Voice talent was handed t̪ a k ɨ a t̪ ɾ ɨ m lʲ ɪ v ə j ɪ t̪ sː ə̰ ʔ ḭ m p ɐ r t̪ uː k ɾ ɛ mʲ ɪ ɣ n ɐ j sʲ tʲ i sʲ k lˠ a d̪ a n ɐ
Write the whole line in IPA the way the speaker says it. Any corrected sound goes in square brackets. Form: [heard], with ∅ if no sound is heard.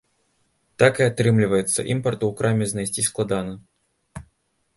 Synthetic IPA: t̪ a k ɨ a t̪ ɾ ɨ m lʲ ɪ v ə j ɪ t̪ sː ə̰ ʔ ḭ m p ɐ r t̪ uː k ɾ [a] mʲ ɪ [z] n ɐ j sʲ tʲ i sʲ k lˠ a d̪ a n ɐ